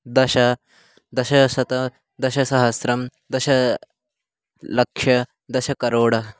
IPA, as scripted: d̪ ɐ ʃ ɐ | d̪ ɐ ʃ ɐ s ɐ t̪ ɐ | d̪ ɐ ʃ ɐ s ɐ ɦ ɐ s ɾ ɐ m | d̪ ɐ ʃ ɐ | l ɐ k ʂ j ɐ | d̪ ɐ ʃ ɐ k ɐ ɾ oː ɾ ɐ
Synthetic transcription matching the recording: d̪ ɐ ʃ ɐ | d̪ ɐ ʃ ɐ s ɐ t̪ ɐ | d̪ ɐ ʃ ɐ s ɐ ɦ ɐ s ɾ ɐ m | d̪ ɐ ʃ ɐ | l ɐ k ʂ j ɐ | d̪ ɐ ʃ ɐ k ɐ ɾ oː ɽ ɐ